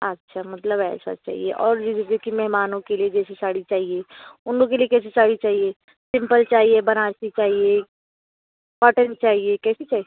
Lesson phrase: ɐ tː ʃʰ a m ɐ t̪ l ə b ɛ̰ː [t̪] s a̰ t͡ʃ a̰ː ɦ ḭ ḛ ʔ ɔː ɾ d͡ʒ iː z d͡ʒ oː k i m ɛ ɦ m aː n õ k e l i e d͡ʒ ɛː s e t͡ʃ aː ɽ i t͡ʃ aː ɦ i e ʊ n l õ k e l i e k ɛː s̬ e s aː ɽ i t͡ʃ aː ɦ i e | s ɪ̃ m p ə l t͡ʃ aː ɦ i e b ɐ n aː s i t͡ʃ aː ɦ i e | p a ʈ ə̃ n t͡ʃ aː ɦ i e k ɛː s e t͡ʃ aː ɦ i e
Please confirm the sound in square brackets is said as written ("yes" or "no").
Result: no